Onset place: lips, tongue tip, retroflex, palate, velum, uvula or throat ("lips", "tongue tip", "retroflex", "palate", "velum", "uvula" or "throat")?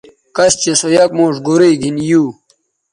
velum